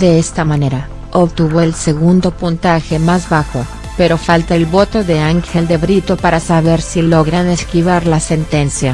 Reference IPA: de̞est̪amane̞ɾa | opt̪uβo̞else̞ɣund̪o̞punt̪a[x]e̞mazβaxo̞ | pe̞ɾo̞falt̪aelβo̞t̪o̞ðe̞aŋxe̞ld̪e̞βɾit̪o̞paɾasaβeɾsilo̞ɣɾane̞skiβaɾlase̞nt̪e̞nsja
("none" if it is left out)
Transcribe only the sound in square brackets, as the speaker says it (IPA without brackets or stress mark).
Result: x